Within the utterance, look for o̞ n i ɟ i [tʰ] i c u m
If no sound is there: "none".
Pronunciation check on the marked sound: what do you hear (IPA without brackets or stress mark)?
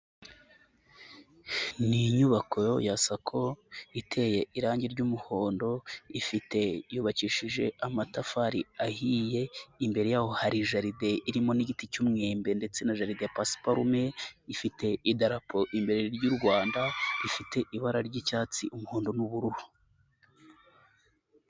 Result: t